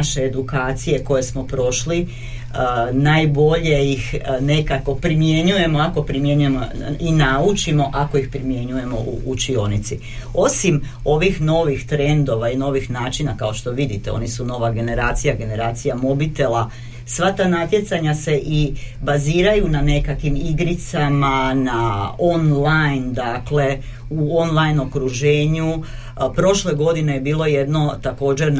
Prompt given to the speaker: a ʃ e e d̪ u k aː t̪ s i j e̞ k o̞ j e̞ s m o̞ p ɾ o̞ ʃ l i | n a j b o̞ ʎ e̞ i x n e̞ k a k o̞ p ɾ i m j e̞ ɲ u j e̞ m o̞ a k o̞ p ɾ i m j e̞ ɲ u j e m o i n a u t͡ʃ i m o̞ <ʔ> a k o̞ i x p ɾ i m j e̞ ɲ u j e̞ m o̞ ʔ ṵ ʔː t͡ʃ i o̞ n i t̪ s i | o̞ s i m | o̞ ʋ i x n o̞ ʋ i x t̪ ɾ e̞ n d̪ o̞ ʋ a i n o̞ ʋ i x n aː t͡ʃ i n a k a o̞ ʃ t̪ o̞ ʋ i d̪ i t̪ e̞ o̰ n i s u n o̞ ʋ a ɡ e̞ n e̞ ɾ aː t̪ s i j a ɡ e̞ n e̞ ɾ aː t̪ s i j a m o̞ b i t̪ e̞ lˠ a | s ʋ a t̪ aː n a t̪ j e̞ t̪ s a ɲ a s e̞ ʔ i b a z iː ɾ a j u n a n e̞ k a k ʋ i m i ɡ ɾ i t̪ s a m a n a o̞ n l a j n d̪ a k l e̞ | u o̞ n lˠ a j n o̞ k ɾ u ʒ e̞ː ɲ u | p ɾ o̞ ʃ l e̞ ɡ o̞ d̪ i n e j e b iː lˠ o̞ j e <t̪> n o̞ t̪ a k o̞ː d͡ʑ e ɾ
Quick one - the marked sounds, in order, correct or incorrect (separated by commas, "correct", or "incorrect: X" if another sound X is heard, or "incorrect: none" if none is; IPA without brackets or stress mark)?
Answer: correct, incorrect: d̪